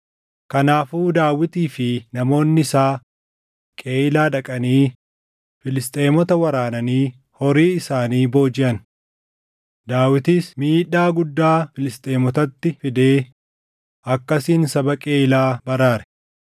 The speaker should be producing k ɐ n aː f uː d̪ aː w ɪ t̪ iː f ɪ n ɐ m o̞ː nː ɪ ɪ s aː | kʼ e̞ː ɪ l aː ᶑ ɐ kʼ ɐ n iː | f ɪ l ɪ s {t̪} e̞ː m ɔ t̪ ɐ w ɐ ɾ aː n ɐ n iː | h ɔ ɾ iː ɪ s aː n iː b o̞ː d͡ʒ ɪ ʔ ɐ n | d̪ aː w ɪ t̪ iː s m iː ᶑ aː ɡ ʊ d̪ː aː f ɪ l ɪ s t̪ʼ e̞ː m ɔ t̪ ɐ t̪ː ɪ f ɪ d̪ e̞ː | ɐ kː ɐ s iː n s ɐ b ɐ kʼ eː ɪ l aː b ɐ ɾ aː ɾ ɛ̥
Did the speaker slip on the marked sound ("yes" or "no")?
yes